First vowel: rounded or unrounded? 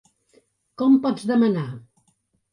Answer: rounded